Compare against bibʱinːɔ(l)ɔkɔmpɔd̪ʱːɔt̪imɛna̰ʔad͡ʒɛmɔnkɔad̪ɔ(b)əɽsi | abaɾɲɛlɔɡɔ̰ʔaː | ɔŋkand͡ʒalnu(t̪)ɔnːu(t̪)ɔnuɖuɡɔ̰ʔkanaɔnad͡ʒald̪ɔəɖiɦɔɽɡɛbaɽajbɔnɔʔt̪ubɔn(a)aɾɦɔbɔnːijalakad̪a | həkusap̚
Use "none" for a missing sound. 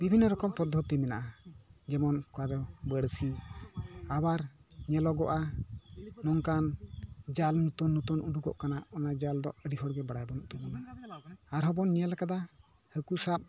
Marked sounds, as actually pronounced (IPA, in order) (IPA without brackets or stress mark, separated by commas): ɾ, b, t̪, t̪, a